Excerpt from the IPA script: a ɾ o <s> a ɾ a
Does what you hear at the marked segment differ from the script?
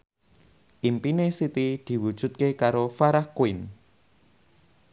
yes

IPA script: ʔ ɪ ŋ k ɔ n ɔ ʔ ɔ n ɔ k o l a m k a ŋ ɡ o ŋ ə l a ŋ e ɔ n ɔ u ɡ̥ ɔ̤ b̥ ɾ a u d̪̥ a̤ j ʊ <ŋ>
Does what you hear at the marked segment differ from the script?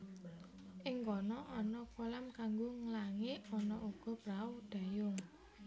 no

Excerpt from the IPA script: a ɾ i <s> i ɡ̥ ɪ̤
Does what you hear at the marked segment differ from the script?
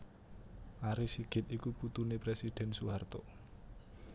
no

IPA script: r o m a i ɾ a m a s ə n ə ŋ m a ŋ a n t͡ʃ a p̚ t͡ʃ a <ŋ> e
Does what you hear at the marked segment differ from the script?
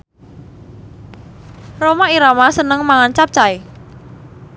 yes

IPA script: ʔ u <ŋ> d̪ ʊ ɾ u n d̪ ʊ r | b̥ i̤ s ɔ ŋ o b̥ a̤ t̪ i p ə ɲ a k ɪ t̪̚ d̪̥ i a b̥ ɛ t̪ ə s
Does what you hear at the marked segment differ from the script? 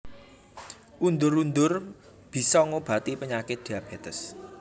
yes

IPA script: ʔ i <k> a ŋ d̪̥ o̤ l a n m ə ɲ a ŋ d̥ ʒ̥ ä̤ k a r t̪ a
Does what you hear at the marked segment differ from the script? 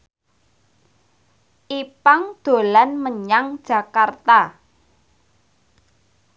yes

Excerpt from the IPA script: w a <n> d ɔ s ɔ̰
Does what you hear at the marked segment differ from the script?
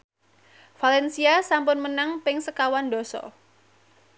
no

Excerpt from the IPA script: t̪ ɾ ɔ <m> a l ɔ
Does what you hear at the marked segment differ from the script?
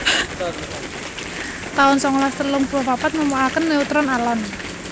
yes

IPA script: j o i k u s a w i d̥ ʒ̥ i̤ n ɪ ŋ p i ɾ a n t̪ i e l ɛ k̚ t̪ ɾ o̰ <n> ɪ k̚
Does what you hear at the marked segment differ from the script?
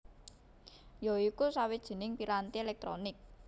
no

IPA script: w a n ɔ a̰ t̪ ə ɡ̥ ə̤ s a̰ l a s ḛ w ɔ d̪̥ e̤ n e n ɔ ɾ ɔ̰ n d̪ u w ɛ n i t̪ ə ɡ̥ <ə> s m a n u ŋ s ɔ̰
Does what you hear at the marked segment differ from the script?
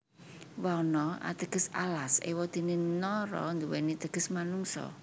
no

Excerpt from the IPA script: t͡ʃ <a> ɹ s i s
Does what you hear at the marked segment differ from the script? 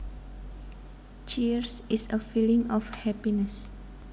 yes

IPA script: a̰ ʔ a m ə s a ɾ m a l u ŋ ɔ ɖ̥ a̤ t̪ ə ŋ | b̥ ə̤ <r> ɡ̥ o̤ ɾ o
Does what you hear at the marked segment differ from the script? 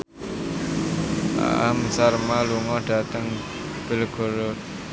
yes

